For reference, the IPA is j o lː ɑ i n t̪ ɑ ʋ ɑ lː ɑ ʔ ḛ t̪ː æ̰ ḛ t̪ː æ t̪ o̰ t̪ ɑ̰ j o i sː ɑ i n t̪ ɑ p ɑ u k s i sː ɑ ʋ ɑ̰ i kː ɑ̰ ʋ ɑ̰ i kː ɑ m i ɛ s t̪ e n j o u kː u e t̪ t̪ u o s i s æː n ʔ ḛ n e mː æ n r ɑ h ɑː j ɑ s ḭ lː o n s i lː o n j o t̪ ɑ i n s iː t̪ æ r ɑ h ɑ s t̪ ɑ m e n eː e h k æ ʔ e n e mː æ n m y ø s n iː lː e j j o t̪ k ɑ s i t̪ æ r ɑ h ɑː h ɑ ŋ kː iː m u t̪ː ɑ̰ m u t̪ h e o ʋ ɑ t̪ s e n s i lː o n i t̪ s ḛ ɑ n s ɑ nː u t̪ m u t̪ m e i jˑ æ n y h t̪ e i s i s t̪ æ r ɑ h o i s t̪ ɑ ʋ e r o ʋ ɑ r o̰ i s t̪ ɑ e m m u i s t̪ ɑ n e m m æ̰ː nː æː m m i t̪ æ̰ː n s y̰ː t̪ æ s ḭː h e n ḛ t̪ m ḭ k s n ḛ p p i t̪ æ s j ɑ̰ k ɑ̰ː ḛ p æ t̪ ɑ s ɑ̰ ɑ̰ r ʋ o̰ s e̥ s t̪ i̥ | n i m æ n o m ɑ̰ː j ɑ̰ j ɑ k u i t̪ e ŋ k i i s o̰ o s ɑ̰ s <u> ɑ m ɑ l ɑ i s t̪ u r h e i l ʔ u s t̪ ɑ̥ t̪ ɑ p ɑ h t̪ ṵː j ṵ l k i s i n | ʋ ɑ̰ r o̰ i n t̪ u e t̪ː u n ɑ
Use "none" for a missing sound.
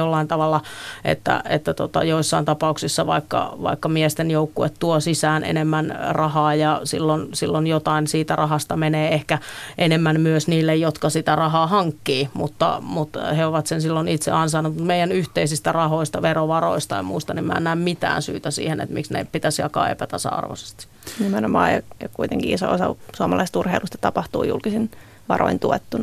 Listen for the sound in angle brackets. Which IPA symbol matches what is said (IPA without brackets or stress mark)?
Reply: u